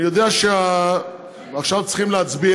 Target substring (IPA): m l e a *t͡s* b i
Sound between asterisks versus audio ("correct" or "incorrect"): correct